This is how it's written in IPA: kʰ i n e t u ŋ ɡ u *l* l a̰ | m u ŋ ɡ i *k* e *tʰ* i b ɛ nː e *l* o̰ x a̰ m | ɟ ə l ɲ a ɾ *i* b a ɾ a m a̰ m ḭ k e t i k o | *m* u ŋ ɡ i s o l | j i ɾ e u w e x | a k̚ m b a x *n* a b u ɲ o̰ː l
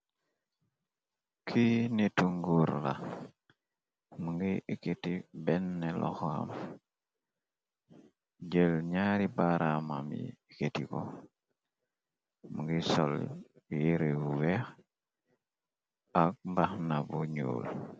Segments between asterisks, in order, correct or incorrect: incorrect: ɾ, correct, incorrect: t, correct, correct, correct, correct

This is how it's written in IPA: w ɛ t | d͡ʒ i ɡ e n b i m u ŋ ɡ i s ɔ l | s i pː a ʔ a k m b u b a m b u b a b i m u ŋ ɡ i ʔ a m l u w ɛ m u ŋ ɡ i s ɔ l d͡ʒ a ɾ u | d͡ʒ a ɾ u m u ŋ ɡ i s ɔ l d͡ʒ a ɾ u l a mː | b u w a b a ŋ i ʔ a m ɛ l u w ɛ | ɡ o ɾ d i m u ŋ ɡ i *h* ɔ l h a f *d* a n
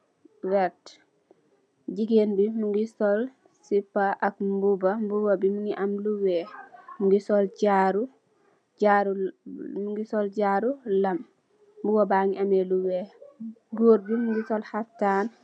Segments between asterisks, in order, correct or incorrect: incorrect: s, incorrect: t

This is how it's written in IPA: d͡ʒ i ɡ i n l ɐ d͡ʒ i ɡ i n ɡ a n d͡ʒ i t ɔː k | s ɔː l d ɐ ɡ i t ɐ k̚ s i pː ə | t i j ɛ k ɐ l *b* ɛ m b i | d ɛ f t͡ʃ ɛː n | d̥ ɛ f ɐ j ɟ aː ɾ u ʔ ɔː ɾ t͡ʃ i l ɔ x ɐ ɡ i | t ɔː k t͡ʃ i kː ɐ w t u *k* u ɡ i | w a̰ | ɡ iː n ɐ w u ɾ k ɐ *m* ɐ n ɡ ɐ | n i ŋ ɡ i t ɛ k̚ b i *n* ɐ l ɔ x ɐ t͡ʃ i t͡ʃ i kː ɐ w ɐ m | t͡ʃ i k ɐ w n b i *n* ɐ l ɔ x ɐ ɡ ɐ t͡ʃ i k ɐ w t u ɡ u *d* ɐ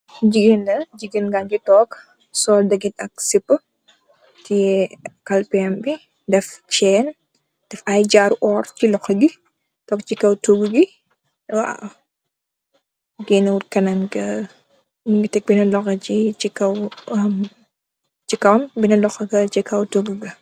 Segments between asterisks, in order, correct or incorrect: incorrect: p, incorrect: ɡ, incorrect: n, correct, correct, incorrect: ɡ

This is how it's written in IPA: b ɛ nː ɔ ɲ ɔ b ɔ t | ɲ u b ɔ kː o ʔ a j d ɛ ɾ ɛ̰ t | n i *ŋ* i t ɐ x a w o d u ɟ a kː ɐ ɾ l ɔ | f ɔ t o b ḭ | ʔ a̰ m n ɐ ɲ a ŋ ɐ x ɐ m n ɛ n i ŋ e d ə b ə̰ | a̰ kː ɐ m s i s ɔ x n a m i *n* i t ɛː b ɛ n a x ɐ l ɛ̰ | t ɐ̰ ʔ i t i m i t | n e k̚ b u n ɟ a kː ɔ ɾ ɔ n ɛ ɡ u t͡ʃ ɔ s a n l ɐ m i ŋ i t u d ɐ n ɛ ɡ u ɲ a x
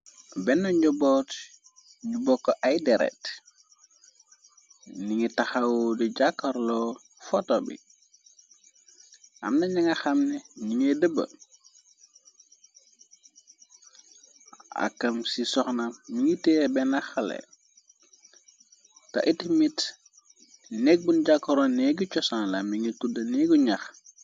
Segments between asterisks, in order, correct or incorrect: correct, incorrect: ŋ

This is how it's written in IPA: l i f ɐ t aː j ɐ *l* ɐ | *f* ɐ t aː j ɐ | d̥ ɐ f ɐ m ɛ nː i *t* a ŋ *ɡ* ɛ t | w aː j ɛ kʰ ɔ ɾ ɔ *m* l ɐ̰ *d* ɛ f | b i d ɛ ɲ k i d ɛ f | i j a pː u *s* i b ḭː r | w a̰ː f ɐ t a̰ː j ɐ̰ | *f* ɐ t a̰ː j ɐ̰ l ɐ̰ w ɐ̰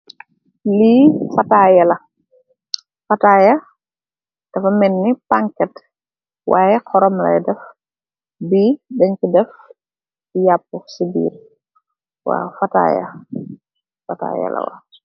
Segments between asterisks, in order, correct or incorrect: correct, correct, incorrect: p, incorrect: k, correct, correct, correct, correct

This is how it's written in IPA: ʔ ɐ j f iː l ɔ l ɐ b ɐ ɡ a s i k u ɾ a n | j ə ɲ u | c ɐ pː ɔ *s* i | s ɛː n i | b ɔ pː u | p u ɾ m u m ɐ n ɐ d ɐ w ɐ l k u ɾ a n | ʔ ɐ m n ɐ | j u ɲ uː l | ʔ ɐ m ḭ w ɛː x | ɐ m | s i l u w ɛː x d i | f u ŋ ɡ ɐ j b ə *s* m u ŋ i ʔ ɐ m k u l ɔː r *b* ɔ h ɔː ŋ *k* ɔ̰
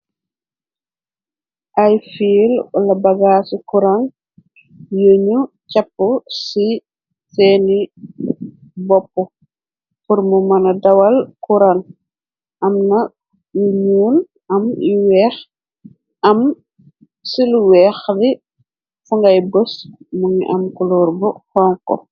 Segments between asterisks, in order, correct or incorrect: correct, correct, correct, correct

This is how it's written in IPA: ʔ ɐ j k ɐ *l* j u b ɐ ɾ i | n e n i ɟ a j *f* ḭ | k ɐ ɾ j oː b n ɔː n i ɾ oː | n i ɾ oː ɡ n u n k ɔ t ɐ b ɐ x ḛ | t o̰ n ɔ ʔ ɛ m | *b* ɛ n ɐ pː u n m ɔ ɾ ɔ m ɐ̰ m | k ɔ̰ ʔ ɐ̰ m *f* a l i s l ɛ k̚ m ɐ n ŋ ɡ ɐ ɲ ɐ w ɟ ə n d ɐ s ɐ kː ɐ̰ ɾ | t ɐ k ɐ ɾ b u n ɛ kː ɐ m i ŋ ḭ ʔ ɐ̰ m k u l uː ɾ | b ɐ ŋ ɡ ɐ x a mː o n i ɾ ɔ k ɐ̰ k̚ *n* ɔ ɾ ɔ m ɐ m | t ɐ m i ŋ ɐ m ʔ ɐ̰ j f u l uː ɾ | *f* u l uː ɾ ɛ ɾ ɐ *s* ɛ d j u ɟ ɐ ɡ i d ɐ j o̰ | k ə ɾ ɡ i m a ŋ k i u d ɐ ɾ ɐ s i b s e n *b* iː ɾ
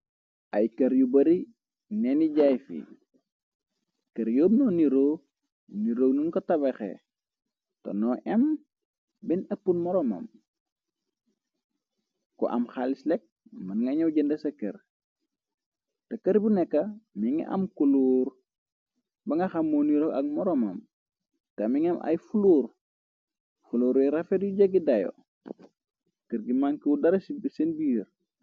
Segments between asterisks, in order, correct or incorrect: incorrect: ɾ, correct, correct, incorrect: x, incorrect: m, correct, incorrect: f, correct

